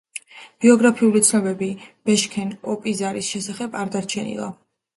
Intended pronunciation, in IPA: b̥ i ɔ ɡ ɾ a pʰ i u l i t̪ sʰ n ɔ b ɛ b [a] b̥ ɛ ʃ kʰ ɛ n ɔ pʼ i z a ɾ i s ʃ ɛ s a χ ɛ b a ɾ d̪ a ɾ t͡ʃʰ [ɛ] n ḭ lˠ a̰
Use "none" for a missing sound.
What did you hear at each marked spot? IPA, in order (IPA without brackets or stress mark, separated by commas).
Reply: i, ɛ